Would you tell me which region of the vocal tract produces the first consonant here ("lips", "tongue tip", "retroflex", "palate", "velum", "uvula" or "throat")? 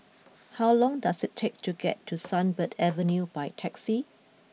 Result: throat